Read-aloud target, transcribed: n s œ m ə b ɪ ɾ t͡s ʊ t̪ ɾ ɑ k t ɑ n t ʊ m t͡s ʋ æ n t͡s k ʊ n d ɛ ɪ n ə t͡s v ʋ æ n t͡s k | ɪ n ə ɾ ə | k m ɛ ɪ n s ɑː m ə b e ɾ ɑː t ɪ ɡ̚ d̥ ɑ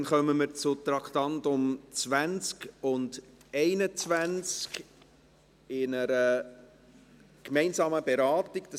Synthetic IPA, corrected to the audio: n χ œ m ə m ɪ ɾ t͡s ʊ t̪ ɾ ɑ k t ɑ n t ʊ m t͡s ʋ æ n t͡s k ʊ n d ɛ ɪ n ə t͡s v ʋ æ n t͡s k | ɪ n ə ɾ ə | k m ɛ ɪ n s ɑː m ə b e ɾ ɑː t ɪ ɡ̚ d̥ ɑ